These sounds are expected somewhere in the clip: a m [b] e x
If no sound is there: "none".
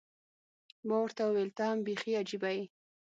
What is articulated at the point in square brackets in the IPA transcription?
b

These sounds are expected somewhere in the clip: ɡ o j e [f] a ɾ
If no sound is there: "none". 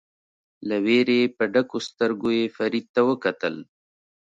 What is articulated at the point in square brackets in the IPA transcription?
f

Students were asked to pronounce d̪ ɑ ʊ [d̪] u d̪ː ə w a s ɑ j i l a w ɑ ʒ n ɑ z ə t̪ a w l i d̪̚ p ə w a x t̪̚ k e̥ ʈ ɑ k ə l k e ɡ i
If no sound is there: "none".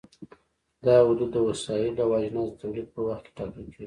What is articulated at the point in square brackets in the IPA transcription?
d̪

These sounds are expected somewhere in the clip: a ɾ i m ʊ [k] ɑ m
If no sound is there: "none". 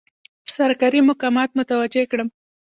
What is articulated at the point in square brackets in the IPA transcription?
k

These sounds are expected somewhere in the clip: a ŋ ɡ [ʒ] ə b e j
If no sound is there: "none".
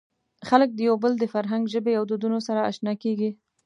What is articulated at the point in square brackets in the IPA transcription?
ʒ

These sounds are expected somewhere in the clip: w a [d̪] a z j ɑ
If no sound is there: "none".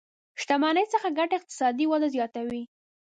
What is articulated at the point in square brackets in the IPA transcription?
d̪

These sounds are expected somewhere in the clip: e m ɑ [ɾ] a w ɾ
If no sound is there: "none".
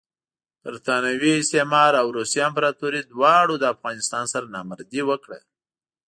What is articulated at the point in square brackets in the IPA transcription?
ɾ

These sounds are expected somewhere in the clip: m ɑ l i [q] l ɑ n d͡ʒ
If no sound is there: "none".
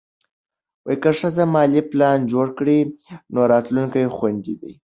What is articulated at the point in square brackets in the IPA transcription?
p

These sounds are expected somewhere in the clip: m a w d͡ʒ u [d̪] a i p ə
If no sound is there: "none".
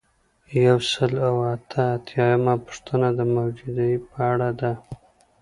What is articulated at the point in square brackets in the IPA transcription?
d̪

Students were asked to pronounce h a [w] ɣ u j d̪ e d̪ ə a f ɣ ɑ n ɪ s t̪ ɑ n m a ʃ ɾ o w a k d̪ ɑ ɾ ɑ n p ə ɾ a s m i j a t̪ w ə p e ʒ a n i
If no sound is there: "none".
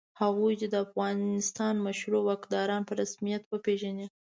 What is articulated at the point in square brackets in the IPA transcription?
none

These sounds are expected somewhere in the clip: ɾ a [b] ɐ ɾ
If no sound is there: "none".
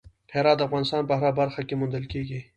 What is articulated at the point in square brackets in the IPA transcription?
b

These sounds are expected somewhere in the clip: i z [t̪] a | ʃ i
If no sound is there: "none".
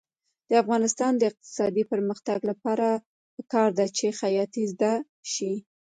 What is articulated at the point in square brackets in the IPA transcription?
d̪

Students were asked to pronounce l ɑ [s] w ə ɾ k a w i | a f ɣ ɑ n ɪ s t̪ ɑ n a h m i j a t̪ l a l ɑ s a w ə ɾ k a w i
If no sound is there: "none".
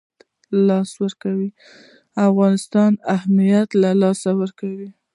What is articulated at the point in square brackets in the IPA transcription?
s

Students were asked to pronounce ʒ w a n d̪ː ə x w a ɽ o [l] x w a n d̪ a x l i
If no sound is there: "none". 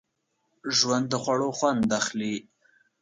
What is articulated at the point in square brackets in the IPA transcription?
none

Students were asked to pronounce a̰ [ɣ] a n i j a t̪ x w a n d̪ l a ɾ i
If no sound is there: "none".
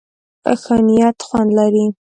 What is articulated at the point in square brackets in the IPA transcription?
x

